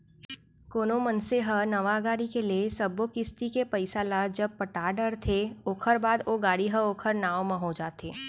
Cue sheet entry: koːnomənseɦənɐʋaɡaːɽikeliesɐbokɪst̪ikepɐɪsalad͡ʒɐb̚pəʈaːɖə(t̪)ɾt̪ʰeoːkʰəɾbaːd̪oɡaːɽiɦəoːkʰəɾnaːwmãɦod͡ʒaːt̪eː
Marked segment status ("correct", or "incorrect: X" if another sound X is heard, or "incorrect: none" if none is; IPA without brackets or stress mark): incorrect: none